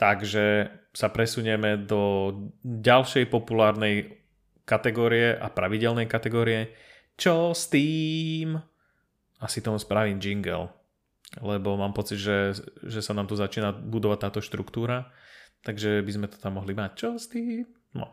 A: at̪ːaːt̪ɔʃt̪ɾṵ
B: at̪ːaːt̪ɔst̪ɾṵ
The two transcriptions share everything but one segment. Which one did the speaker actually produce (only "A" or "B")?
A